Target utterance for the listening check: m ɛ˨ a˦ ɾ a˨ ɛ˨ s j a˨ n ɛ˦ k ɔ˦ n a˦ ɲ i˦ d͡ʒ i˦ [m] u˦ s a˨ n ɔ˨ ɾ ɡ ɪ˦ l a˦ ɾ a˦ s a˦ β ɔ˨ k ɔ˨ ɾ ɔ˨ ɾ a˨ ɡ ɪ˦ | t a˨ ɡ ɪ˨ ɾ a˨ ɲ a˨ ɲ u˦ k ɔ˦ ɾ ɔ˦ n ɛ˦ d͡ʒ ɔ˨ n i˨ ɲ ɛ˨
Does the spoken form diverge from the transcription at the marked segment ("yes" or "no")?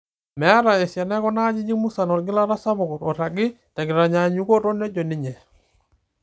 no